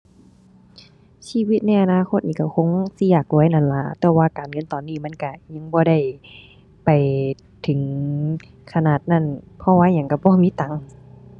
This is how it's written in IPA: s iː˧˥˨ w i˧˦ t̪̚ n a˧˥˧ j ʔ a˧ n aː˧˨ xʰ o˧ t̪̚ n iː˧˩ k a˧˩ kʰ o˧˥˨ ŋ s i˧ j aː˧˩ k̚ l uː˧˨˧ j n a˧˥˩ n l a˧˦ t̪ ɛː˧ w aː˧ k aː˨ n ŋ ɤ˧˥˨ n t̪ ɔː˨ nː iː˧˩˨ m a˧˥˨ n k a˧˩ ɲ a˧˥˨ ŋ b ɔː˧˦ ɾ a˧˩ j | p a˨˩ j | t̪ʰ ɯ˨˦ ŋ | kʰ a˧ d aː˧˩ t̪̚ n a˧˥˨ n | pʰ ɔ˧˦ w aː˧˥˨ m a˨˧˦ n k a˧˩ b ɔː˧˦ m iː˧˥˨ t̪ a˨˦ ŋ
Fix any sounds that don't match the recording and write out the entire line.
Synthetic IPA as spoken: s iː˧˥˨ w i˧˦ t̪̚ n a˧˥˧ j ʔ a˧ n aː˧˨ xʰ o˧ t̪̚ n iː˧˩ k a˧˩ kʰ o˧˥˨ ŋ s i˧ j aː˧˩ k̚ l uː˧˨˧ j n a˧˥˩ n l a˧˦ t̪ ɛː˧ w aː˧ k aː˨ n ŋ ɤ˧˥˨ n t̪ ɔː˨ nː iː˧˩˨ m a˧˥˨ n k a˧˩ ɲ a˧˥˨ ŋ b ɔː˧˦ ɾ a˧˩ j | p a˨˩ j | t̪ʰ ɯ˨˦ ŋ | kʰ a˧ n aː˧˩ t̪̚ n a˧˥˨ n | pʰ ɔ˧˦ w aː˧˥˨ ɲ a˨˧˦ ŋ k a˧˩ b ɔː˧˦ m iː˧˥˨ t̪ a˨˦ ŋ